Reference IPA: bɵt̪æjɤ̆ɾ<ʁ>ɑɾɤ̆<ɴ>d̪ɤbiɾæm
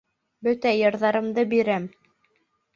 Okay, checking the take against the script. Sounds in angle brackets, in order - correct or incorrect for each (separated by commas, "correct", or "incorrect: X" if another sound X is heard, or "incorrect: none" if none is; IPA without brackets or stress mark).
incorrect: ð, incorrect: m